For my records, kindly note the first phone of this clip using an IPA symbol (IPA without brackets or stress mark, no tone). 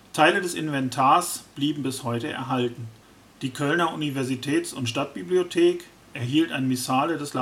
tʰ